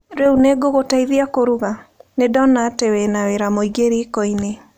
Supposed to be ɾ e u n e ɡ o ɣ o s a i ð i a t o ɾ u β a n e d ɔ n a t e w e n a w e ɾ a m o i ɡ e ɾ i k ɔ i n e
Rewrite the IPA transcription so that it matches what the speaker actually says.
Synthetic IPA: ɾ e u n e ɡ o ɣ o t a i ð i a k o ɾ u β a n e d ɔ n a t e w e n a w e ɾ a m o i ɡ e ɾ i k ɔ i n e

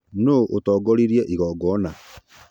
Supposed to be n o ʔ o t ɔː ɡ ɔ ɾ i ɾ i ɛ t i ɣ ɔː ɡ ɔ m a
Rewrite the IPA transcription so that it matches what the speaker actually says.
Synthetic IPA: n o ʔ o t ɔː ɡ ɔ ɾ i ɾ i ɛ ʔ i ɣ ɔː ɡ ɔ n a

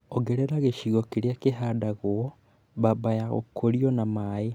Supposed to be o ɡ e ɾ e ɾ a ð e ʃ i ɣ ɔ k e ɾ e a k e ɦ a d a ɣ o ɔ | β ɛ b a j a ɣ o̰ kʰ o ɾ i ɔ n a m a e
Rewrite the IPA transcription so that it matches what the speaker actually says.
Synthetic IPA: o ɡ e ɾ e ɾ a ɣ e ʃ i ɣ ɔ k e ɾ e a k e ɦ a d a ɣ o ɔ | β a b a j a ɣ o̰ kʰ o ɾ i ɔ n a m a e

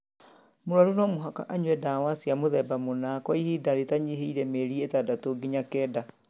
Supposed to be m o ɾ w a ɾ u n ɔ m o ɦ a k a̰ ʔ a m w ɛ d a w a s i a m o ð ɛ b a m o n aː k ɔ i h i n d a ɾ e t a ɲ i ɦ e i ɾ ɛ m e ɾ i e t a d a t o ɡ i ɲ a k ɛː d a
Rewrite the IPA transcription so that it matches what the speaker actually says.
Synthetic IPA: m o ɾ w a ɾ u n ɔ m o ɦ a k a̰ ʔ a ɲ w ɛ d a w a s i a m o ð ɛ b a m o n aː k ɔ i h i d a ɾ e t a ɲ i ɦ e i ɾ ɛ m e ɾ i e t a d a t o ɡ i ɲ a k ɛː d a

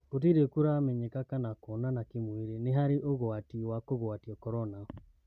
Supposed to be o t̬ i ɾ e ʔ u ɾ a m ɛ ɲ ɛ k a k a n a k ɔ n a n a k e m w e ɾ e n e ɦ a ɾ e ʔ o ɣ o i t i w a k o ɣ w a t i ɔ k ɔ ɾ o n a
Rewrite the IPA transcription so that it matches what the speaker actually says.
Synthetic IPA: o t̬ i ɾ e k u ɾ a m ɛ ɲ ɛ k a k a n a k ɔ n a n a k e m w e ɾ e n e ɦ a ɾ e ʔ o ɣ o a t i w a k o ɣ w a t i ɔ k ɔ ɾ ɔ n a

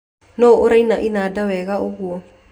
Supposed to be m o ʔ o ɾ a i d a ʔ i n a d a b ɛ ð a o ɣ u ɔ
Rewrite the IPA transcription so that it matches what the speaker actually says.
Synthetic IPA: n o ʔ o ɾ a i n a ʔ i n a d a w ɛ ɣ a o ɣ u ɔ

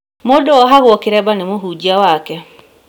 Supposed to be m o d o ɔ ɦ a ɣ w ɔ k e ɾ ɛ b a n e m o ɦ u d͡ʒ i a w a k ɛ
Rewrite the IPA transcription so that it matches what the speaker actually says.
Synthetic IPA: m o d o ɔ ɦ a ɣ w ɔ k e ɾ ɛ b a n e m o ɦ u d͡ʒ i a w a k ɛ

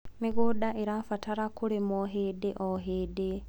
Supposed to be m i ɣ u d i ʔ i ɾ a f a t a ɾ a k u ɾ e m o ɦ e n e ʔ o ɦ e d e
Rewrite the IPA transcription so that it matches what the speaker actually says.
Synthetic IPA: m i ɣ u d a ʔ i ɾ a f a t a ɾ a k u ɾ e m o ɦ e d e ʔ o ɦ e d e

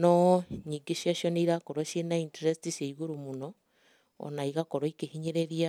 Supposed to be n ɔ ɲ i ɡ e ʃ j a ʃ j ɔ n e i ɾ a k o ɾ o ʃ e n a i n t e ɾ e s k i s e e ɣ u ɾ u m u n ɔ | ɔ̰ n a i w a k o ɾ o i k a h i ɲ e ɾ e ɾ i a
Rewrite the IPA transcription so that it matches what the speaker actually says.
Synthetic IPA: n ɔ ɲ i ɡ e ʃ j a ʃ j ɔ n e i ɾ a k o ɾ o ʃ e n a i n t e ɾ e s t i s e i ɣ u ɾ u m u n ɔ | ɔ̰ n a i ɣ a k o ɾ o i k e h i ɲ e ɾ e ɾ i a

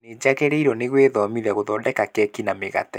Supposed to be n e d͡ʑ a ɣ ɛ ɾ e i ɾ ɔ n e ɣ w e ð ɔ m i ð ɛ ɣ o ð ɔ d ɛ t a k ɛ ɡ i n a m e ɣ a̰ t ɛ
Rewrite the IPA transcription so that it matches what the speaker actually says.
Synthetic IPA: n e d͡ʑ a ɣ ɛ ɾ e i ɾ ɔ n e ɣ w e ð ɔ m i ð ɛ ɣ o ð ɔ d ɛ k a k ɛ k i n a m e ɣ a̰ t ɛ

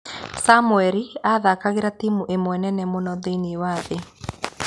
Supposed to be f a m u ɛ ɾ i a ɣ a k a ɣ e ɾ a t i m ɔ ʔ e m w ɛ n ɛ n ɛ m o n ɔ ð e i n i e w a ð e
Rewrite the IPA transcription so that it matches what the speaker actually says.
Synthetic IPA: s a m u ɛ ɾ i a ð a k a ɣ e ɾ a t i m u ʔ e m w ɛ n ɛ n ɛ m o n ɔ ð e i n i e w a ð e

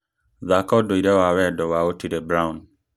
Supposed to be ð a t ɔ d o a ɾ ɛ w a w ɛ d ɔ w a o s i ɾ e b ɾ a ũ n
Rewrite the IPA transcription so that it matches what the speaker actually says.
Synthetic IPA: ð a k ɔ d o i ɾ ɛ w a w ɛ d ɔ w a o t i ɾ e b ɾ a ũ n

